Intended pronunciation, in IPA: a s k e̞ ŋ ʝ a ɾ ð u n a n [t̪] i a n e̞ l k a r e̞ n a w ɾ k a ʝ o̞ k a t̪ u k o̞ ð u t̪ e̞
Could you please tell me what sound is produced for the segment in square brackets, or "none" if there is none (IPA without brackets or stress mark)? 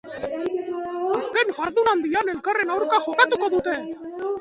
d̪